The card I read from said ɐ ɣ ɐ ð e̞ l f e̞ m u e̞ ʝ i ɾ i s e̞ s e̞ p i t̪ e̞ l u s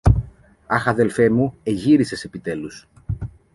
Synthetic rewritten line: ɐ x ɐ ð e̞ l f e̞ m u e̞ ʝ i ɾ i s e̞ s e̞ p i t̪ e̞ l u s